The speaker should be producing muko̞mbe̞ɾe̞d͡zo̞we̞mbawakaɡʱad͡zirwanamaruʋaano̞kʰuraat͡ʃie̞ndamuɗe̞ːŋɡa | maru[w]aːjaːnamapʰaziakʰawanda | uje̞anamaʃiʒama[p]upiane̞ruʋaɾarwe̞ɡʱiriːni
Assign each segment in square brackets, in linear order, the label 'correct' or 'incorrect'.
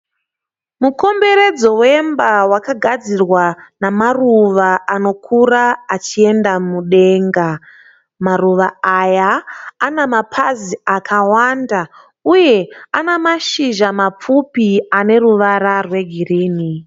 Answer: incorrect, incorrect

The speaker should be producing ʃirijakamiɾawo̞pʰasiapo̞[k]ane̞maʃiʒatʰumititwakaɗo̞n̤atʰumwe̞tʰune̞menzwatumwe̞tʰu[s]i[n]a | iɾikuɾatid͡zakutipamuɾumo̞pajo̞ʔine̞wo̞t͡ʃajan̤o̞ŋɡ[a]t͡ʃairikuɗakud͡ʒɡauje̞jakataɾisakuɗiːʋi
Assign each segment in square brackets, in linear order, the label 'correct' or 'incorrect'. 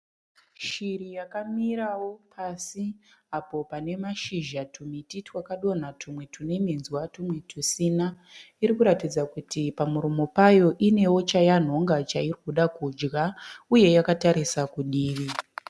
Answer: incorrect, correct, correct, correct

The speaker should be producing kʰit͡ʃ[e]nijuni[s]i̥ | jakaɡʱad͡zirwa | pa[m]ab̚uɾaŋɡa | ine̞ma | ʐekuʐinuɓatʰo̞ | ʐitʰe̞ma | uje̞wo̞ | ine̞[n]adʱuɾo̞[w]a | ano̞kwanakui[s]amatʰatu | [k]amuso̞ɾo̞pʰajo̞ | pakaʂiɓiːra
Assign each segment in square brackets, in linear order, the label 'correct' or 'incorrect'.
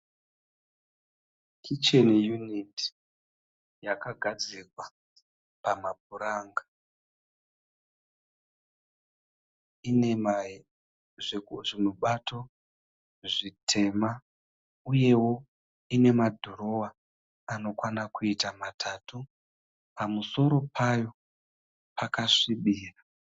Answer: correct, incorrect, correct, incorrect, correct, incorrect, incorrect

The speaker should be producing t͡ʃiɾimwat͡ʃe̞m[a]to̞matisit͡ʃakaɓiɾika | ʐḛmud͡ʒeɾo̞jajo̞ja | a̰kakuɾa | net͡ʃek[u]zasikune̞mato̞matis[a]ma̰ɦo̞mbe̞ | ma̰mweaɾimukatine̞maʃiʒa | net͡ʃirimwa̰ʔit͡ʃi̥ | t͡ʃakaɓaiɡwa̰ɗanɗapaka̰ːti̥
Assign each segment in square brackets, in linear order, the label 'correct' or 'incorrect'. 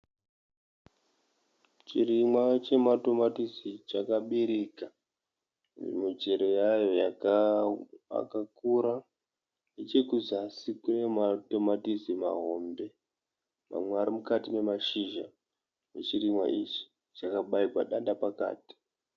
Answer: correct, correct, incorrect

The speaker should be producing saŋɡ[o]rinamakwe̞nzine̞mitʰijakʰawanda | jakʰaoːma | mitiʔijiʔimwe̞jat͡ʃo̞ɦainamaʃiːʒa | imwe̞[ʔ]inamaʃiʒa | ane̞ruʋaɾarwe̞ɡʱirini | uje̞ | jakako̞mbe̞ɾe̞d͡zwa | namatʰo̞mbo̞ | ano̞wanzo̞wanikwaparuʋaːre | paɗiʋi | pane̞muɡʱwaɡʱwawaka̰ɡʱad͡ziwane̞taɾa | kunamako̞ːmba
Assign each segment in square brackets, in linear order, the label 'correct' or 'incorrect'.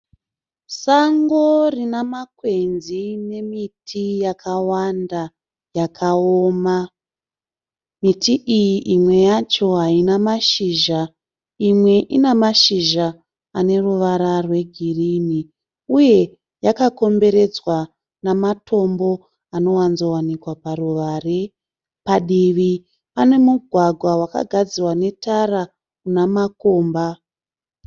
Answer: correct, correct

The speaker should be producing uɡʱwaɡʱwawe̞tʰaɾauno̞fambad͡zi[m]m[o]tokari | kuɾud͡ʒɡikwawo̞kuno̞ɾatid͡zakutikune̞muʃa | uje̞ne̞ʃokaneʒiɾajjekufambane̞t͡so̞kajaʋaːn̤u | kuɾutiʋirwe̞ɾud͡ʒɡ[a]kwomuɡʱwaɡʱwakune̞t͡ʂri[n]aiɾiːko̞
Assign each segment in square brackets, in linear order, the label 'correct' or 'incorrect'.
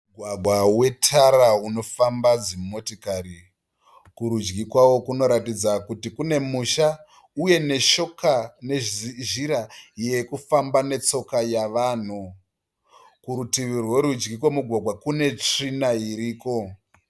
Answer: correct, correct, incorrect, correct

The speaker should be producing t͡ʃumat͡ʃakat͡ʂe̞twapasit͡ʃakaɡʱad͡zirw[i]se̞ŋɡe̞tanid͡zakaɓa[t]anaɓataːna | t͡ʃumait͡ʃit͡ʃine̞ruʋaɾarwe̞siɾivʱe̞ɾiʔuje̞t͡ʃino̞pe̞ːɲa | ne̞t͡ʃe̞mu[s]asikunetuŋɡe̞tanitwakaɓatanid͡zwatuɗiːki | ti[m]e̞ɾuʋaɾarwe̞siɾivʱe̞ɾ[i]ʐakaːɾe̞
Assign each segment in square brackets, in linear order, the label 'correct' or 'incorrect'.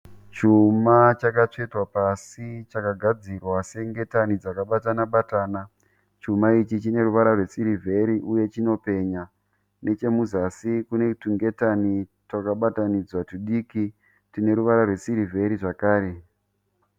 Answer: incorrect, correct, incorrect, incorrect, correct

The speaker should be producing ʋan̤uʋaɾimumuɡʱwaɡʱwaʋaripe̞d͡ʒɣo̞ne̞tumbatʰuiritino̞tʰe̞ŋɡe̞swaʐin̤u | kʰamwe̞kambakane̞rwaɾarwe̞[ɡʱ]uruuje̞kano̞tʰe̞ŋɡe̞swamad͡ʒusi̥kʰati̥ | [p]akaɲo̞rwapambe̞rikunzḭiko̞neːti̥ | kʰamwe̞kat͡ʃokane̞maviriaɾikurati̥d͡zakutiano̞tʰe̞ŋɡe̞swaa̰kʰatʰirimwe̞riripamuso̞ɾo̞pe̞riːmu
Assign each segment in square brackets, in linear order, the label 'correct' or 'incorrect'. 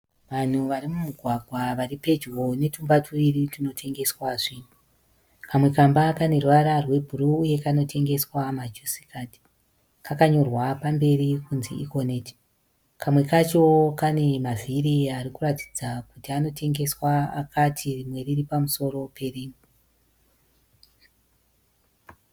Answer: incorrect, incorrect

